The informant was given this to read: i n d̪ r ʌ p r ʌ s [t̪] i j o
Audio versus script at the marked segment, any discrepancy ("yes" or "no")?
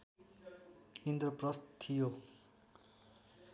yes